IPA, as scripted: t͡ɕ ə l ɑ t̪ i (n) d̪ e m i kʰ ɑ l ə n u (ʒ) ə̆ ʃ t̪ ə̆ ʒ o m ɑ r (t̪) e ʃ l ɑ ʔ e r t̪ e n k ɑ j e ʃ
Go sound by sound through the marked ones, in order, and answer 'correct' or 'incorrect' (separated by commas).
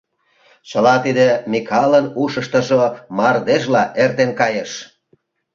incorrect, incorrect, incorrect